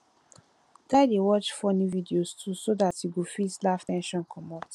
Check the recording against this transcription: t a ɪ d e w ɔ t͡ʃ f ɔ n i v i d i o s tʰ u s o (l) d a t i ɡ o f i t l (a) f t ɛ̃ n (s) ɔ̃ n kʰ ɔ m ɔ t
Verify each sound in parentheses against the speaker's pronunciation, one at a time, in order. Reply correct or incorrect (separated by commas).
incorrect, correct, incorrect